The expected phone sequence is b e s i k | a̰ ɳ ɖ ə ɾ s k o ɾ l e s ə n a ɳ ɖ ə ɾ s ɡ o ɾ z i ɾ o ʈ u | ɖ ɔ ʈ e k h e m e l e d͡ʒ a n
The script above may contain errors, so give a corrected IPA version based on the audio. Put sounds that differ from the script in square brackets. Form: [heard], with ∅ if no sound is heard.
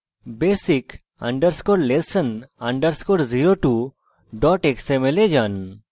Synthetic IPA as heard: b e s i k | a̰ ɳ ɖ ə ɾ s k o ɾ l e s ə n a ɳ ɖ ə ɾ s [k] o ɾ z i ɾ o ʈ u | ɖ ɔ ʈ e k [s] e m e l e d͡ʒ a n